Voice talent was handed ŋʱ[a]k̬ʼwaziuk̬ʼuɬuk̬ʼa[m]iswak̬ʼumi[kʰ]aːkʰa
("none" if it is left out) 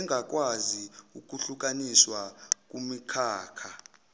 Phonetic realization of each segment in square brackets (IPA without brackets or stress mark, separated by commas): a, n, kʰ